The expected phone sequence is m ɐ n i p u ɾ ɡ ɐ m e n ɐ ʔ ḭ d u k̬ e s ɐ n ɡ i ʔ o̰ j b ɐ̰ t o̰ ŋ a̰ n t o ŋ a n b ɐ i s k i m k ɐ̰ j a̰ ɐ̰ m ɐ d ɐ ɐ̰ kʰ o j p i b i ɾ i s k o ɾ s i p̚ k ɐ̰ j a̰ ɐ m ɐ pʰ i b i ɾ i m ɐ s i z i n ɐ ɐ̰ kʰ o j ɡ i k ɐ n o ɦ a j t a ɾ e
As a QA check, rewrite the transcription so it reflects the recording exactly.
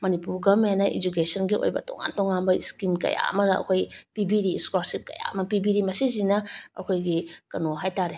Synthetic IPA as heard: m ɐ n i p u ɾ ɡ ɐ m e n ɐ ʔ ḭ d͡ʒ u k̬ e s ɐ n ɡ i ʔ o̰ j b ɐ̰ t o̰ ŋ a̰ n t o ŋ a n b ɐ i s k i m k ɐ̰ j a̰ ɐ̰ m ɐ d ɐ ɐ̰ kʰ o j p i b i ɾ i s k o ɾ s i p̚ k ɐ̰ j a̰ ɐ m ɐ p i b i ɾ i m ɐ s i z i n ɐ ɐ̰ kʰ o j ɡ i k ɐ n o ɦ a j t a ɾ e